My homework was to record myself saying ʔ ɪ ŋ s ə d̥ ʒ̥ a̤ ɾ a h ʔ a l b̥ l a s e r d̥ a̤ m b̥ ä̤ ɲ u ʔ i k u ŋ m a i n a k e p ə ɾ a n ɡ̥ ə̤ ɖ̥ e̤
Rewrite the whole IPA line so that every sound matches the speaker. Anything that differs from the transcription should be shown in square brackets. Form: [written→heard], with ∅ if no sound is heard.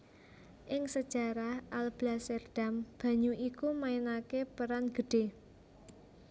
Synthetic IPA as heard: ʔ ɪ ŋ s ə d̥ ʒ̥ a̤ ɾ a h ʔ a l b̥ l a s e r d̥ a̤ m b̥ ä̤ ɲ u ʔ i k u [ŋ→∅] m a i n a k e p ə ɾ a n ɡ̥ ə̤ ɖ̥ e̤